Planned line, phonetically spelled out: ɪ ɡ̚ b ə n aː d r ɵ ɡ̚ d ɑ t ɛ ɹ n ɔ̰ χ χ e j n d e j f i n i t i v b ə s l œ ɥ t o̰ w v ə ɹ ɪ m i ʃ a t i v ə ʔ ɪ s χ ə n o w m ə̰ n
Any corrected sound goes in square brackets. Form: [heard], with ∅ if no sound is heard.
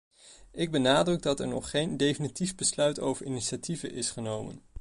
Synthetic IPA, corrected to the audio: ɪ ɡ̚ b ə n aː d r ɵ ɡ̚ d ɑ t ɛ ɹ n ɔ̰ χ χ e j n d e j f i n i t i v b ə s l œ ɥ t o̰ w v ə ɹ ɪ [n] i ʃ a t i v ə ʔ ɪ s χ ə n o w m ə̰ n